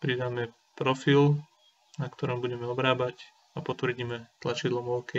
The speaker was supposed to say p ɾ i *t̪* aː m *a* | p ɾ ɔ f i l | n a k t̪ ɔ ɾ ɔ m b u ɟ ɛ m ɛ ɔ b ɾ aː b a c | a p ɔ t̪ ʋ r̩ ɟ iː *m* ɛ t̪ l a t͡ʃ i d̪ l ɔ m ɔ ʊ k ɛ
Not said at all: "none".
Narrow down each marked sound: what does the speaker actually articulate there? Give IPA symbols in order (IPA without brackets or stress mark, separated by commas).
d̪, ɛ, m